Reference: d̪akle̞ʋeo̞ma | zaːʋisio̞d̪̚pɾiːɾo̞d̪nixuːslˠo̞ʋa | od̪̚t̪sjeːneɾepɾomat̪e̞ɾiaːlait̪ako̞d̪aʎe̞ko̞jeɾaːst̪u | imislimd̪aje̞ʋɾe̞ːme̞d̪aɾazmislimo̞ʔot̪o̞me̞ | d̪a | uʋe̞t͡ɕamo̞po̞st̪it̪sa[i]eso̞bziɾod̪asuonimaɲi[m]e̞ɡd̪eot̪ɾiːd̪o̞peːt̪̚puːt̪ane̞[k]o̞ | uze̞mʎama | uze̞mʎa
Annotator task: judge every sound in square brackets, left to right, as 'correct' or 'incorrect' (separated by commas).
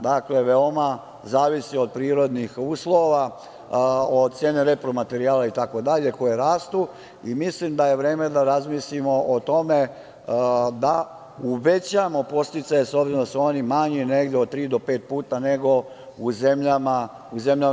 incorrect, incorrect, incorrect